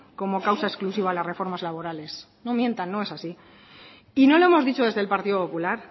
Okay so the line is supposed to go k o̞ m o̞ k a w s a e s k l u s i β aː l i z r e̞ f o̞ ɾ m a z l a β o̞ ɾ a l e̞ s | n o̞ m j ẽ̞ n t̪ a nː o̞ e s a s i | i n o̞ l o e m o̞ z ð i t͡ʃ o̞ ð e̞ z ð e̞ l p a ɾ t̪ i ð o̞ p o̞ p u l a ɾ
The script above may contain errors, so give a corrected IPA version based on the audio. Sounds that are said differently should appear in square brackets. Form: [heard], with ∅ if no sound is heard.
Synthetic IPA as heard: k o̞ m o̞ k a w s a e s k l u s i β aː l [a] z r e̞ f o̞ ɾ m a z l a β o̞ ɾ a l e̞ s | n o̞ m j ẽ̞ n t̪ a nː o̞ e s a s i | i n o̞ l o e m o̞ z ð i t͡ʃ o̞ ð e̞ z ð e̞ l p a ɾ t̪ i ð o̞ p o̞ p u l a ɾ